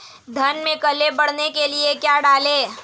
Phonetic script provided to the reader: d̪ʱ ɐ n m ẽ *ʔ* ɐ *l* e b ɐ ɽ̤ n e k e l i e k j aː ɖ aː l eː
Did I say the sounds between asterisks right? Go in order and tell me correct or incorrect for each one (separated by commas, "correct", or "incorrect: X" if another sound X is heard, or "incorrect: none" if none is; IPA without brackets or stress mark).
incorrect: k, correct